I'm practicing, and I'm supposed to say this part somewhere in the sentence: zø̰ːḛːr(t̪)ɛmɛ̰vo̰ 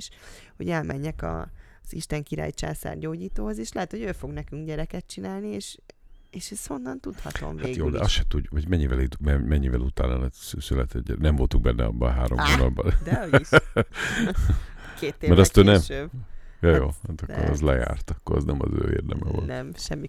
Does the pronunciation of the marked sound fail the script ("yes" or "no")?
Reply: yes